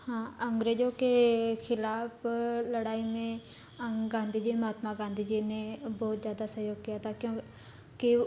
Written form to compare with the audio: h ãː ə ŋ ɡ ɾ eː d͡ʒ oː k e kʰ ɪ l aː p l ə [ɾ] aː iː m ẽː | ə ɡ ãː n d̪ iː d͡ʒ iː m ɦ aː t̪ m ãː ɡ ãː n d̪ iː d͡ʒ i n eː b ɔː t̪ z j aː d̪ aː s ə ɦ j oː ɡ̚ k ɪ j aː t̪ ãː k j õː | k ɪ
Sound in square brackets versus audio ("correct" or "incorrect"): incorrect